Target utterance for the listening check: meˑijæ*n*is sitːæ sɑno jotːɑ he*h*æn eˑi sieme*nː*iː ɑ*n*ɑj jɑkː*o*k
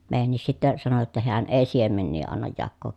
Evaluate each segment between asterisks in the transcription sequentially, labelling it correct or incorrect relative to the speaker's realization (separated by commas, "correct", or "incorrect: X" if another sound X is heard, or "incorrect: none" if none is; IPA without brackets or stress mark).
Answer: incorrect: nː, incorrect: none, correct, incorrect: nː, incorrect: oː